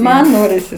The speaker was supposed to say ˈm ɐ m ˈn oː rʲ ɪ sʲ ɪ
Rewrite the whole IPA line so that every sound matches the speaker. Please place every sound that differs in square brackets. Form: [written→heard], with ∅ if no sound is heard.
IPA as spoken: ˈm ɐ [m→n] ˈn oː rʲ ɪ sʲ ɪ